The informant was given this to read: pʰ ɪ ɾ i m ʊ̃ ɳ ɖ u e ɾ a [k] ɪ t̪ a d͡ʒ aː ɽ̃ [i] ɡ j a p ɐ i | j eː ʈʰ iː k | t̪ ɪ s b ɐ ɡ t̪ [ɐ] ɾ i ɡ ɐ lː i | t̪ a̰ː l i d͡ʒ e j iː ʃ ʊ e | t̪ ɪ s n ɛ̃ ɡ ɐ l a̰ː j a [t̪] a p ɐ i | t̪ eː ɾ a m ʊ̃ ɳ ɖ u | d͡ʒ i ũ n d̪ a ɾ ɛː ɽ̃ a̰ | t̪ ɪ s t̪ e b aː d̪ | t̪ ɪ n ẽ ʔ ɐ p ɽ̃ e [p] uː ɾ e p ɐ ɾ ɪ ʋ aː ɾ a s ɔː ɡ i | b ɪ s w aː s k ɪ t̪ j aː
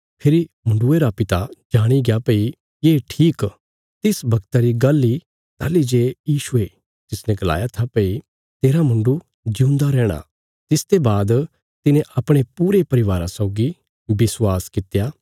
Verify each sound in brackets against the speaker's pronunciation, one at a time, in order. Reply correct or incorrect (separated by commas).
incorrect, correct, incorrect, incorrect, correct